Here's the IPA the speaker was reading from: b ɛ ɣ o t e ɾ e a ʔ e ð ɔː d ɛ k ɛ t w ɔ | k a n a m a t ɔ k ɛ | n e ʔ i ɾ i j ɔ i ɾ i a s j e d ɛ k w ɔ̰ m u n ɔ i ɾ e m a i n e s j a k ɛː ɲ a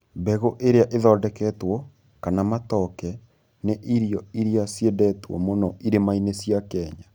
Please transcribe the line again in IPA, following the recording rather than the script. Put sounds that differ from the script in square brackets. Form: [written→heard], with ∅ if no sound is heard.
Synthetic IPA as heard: b ɛ ɣ o [t→ʔ] e ɾ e a ʔ e ð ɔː d ɛ k ɛ t w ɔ | k a n a m a t ɔ k ɛ | n e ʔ i ɾ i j ɔ i ɾ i a s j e d ɛ [k→t] w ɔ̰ m [u→o] n ɔ i ɾ e m a i n e s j a k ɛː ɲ a